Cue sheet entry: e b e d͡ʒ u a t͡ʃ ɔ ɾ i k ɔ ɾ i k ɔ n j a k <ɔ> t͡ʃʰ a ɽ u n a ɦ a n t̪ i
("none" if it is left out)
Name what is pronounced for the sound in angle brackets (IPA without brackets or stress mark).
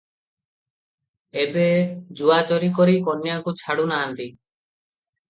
u